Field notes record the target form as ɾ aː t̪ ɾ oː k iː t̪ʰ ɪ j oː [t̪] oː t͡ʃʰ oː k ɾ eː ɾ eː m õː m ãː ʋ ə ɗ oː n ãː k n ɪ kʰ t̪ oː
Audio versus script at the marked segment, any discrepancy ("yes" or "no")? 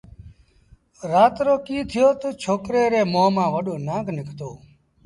no